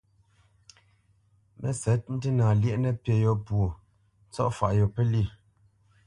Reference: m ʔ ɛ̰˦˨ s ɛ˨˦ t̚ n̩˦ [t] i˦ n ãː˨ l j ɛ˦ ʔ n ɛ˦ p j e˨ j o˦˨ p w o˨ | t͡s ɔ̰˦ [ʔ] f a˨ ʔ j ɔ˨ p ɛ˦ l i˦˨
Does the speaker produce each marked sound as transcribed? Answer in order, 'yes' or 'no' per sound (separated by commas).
yes, yes